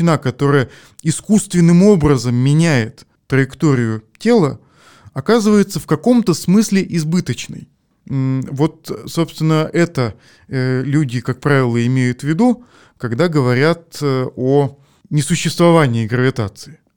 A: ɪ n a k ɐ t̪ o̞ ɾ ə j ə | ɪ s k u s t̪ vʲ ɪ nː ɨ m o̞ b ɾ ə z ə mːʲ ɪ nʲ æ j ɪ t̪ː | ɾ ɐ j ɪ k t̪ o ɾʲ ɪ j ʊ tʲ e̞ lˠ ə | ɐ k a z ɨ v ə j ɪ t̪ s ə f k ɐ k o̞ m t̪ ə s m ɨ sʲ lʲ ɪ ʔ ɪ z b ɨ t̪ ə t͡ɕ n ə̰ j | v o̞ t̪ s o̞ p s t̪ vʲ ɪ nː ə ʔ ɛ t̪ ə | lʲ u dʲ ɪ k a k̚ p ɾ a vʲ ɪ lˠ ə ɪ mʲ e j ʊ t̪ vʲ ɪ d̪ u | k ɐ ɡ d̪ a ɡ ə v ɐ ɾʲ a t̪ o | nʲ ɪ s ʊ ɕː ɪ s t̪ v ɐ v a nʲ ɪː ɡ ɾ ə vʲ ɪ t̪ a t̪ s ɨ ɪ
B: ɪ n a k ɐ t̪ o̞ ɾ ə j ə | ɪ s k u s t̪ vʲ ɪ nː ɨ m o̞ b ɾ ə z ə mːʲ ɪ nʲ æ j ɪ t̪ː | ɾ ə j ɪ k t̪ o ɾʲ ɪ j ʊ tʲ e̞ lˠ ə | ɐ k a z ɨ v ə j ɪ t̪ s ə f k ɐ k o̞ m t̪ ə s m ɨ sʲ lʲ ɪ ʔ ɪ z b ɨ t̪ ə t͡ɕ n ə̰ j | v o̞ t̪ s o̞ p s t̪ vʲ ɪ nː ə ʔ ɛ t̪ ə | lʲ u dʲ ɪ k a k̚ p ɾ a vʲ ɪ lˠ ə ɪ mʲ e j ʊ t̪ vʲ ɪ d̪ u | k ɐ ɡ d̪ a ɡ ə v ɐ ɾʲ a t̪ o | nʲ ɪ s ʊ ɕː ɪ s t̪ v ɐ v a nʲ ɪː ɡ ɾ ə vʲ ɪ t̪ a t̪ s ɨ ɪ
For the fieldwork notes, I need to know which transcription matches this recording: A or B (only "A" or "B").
B